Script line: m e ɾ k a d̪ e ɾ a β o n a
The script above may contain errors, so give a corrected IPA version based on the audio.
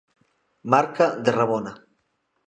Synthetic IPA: m a ɾ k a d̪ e r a β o n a